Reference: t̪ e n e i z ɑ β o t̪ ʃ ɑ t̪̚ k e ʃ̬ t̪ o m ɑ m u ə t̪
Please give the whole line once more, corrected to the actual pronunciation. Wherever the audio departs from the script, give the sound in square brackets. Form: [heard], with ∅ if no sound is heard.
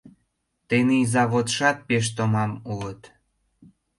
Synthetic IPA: t̪ e n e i z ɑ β o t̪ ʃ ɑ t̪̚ [p] e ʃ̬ t̪ o m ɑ m u ə t̪